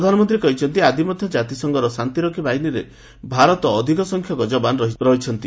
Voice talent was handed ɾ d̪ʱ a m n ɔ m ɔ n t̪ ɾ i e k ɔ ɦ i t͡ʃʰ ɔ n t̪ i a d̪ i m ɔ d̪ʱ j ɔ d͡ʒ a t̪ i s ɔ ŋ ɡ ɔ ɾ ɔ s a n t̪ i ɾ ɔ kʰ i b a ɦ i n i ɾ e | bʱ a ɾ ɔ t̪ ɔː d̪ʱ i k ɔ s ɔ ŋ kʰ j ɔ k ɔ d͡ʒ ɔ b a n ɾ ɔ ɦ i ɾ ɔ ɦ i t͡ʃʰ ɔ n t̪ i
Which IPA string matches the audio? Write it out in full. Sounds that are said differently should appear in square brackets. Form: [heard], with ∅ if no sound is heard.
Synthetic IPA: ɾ d̪ʱ a [∅] n ɔ m ɔ n t̪ ɾ i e k ɔ ɦ i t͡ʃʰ ɔ n t̪ i a d̪ i m ɔ d̪ʱ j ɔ d͡ʒ a t̪ i s ɔ ŋ ɡ ɔ ɾ ɔ s a n t̪ i ɾ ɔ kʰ i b a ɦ i n i ɾ e | bʱ a ɾ ɔ t̪ ɔː d̪ʱ i k ɔ s ɔ ŋ kʰ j ɔ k ɔ d͡ʒ ɔ b a n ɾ ɔ ɦ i ɾ ɔ ɦ i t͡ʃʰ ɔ n t̪ i